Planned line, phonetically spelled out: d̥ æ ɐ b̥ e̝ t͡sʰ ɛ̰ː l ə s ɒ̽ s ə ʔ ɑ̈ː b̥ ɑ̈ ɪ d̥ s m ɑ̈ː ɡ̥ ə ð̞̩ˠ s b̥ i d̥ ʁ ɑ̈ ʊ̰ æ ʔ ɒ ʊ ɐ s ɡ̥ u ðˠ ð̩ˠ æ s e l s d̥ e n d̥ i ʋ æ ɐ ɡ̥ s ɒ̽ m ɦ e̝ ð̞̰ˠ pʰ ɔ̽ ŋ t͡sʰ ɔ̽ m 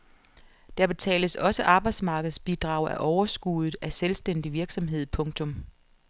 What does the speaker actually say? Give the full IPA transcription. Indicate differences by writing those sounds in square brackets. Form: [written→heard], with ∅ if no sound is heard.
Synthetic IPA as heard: d̥ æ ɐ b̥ e̝ t͡sʰ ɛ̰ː l ə s ɒ̽ s ə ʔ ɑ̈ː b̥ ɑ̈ ɪ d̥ s m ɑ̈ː ɡ̥ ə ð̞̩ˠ s b̥ i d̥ ʁ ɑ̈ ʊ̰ æ ʔ ɒ ʊ ɐ s ɡ̥ u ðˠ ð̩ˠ æ s e l s d̥ e n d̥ i ʋ [æ→i] ɐ ɡ̥ s ɒ̽ m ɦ e̝ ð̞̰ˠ pʰ ɔ̽ ŋ t͡sʰ ɔ̽ m

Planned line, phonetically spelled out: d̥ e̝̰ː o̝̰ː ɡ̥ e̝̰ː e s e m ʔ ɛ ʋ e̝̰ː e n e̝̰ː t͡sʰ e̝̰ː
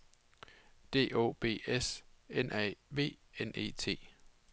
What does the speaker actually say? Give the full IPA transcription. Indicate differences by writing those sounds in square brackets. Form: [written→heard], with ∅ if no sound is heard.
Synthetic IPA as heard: d̥ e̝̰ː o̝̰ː [ɡ̥→b̥] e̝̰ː e s e [m→n] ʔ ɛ ʋ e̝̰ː e n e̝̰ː t͡sʰ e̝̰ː

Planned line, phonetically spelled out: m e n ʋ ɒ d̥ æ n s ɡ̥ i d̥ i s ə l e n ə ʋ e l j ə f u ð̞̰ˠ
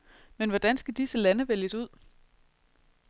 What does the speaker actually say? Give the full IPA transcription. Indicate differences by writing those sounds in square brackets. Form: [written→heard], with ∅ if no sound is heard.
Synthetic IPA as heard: m e n ʋ ɒ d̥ æ n s ɡ̥ [i→æ] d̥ i s ə l [e→æ] n ə ʋ e l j ə [f→s] u ð̞̰ˠ

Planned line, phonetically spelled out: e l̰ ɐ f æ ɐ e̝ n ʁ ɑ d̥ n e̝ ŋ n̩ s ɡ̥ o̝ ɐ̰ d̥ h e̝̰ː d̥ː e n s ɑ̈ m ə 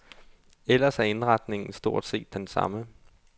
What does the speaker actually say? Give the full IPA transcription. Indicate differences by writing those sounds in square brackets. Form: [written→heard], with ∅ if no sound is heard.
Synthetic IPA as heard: e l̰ ɐ [f→s] æ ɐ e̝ n ʁ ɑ d̥ n e̝ ŋ n̩ s [ɡ̥→d̥] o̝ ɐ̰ d̥ [h→s] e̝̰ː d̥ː e n s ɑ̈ m ə

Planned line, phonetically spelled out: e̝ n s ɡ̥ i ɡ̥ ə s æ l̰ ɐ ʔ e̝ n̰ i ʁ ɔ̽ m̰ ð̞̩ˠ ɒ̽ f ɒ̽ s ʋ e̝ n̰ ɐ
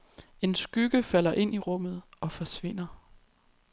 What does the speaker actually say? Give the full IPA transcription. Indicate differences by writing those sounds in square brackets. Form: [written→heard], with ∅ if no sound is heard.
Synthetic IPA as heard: e̝ n s ɡ̥ [i→y] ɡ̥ ə [s→f] æ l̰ ɐ ʔ e̝ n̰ i ʁ ɔ̽ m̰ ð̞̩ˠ ɒ̽ f ɒ̽ s ʋ e̝ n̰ ɐ

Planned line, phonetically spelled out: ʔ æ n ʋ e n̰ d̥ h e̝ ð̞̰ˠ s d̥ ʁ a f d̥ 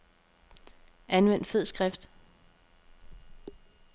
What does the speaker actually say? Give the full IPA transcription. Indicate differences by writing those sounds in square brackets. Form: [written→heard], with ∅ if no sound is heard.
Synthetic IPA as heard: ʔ æ n ʋ e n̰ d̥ [h→f] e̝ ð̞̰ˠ s [d̥→ɡ̥] ʁ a f d̥

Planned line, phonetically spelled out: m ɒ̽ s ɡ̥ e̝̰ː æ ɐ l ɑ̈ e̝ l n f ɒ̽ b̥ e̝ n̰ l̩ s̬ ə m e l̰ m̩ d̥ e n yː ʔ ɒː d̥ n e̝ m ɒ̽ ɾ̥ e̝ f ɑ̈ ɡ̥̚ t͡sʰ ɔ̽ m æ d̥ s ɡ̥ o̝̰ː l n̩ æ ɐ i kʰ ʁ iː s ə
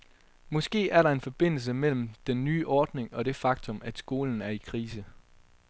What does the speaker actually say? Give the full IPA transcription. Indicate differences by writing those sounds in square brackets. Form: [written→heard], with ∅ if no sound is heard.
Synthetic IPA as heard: m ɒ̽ s ɡ̥ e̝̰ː æ ɐ [l→ɾ] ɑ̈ e̝ [l→∅] n f ɒ̽ b̥ e̝ n̰ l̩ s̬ ə m e l̰ m̩ d̥ e [n→nː] yː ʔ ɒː d̥ n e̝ [m→ŋ] ɒ̽ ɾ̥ e̝ f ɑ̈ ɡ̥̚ t͡sʰ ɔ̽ m æ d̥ s ɡ̥ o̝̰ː l n̩ æ ɐ i kʰ ʁ iː s ə

